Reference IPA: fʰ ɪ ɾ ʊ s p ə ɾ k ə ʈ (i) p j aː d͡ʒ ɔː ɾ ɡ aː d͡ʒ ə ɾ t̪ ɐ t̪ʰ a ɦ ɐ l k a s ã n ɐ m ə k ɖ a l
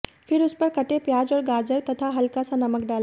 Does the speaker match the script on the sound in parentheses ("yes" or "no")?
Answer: no